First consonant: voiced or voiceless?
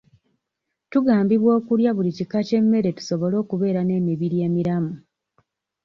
voiceless